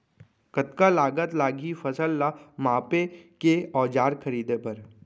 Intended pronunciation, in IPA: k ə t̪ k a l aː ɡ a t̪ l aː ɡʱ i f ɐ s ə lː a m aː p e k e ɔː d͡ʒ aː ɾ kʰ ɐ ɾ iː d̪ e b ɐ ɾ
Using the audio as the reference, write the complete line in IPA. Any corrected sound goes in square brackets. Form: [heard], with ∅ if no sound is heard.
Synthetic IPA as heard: k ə t̪ k a l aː ɡ [ə] t̪ l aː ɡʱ i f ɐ s ə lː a m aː p e k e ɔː d͡ʒ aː ɾ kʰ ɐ ɾ iː d̪ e [p] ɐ ɾ